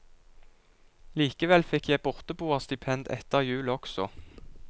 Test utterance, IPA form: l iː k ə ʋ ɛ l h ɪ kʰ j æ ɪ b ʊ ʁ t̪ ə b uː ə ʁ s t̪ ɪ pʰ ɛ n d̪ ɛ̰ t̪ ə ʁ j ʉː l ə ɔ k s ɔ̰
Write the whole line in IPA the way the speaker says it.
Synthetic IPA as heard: l iː k ə ʋ ɛ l f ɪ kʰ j æ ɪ b ʊ ʁ t̪ ə b uː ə ʁ s t̪ ɪ pʰ ɛ n d̪ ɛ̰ t̪ ə ʁ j ʉː l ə ɔ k s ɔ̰